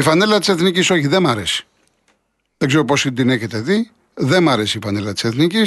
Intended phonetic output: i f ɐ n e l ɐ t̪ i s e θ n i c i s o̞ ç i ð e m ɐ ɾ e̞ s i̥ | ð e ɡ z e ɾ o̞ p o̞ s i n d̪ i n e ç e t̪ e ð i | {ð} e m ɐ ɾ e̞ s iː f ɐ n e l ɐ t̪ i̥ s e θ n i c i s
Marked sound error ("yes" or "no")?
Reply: no